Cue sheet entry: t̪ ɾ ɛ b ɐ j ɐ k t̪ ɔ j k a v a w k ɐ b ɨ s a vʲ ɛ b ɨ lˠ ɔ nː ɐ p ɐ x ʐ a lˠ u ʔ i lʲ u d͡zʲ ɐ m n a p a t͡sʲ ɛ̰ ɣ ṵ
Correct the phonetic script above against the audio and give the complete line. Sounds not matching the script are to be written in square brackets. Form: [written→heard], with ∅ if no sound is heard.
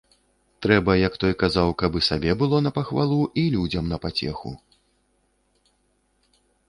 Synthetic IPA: t̪ ɾ ɛ b ɐ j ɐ k t̪ ɔ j k a [v→z] a w k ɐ b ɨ s a [vʲ→bʲ] ɛ b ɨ lˠ ɔ [nː→n] ɐ p ɐ x [ʐ→v] a lˠ u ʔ i lʲ u d͡zʲ ɐ m n [a→ɐ] p a t͡sʲ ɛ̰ [ɣ→x] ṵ